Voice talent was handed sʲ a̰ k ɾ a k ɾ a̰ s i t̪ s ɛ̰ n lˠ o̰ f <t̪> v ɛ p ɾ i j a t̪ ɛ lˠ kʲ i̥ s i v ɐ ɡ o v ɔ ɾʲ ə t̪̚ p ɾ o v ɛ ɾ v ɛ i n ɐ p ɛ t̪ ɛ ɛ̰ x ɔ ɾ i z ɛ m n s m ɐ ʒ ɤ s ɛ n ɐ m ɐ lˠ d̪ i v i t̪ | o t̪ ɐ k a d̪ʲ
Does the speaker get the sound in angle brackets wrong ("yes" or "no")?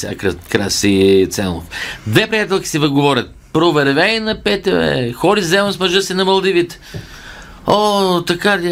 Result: yes